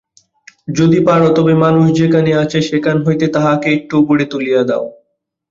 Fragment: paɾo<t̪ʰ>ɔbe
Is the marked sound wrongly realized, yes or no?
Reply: yes